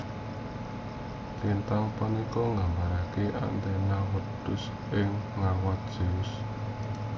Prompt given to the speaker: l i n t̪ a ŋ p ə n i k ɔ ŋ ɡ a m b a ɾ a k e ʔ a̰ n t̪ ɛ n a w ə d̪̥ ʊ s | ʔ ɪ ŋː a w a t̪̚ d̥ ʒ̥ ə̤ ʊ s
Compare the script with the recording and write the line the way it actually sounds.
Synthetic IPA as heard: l i n t̪ a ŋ p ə n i k ɔ ŋ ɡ a m b a ɾ a k e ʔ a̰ n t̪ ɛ n a w ə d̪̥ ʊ s | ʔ ɪ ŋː a w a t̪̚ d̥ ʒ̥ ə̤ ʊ s